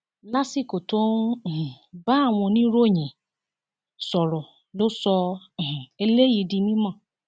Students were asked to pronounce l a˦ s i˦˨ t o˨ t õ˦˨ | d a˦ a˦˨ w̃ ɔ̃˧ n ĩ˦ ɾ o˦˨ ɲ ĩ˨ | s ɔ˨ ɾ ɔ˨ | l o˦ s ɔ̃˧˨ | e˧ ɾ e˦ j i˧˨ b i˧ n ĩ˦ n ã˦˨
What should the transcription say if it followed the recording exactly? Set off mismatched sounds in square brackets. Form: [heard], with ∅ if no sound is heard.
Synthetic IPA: l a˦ s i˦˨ [k] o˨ t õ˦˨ | [b] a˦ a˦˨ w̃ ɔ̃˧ n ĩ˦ ɾ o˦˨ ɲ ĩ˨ | s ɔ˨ ɾ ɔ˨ | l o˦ s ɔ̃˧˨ | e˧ [l] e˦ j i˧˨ [d] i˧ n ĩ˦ [m] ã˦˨